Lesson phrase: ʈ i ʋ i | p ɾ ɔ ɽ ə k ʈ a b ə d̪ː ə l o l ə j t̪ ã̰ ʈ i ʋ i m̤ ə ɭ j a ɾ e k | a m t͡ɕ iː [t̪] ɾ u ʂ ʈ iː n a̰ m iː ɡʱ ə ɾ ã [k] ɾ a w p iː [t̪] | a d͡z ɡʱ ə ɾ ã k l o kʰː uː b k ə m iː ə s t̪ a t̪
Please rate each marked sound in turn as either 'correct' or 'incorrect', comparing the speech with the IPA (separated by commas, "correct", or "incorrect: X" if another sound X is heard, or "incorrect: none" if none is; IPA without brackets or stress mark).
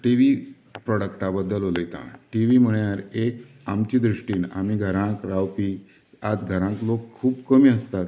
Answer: incorrect: d̪, correct, incorrect: none